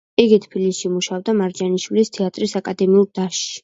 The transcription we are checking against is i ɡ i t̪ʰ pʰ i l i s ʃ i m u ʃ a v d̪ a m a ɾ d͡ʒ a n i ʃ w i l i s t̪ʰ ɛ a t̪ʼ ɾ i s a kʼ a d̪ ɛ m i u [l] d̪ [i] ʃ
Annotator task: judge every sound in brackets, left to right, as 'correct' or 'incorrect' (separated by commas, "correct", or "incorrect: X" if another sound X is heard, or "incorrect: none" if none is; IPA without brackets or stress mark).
incorrect: ɾ, incorrect: a